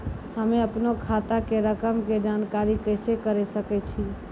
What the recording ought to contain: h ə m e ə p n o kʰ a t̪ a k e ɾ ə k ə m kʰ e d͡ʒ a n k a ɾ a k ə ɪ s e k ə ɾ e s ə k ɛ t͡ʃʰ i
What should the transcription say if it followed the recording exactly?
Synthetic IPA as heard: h ə m e ə p n o kʰ a t̪ a k e ɾ ə k ə m k e d͡ʒ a n k a ɾ i k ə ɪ s e k ə ɾ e s ə k ɛ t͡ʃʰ i